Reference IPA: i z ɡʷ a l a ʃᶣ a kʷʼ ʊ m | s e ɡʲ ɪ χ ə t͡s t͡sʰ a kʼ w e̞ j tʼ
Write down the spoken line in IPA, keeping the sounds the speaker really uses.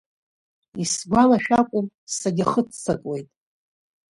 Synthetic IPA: i s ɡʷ a l a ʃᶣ a kʷʼ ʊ m | s a ɡʲ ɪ χ ə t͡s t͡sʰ a kʼ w e̞ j tʼ